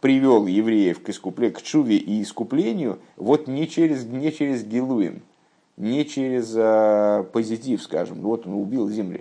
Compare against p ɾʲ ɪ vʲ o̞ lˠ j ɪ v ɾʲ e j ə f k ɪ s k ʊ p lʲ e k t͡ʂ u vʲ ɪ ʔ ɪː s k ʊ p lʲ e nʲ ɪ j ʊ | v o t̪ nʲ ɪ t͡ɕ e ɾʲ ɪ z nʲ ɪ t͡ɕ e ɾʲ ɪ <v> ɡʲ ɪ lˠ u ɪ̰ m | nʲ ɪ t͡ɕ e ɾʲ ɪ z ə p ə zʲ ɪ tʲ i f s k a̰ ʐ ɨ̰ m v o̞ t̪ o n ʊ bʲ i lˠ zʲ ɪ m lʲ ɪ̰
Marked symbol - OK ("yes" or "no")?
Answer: no